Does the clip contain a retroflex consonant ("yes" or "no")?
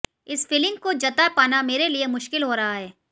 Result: no